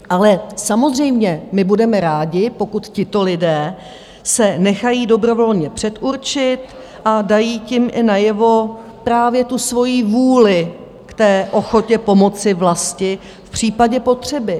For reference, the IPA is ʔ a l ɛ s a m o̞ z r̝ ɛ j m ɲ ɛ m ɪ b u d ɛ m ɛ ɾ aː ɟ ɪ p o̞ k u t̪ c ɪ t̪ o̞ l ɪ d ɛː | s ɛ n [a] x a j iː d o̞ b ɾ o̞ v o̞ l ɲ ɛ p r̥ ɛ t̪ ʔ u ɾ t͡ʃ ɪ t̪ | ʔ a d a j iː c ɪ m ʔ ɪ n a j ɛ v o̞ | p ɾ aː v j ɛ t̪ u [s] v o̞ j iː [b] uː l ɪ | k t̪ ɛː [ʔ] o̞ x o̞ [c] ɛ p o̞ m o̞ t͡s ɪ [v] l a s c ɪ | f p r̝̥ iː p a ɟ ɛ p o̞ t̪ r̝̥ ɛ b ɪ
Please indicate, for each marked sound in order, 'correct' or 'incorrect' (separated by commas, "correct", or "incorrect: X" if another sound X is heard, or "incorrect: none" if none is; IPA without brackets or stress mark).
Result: incorrect: ɛ, correct, incorrect: v, correct, correct, correct